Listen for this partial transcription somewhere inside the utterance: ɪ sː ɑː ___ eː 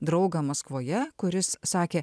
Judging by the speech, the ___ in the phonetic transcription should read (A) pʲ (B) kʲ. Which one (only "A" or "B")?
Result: B